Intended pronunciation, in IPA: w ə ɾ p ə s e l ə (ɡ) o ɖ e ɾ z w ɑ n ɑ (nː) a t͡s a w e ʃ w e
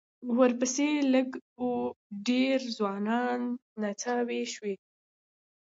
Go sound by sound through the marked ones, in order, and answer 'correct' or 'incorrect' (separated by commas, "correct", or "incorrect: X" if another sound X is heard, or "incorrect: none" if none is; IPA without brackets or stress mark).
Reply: correct, correct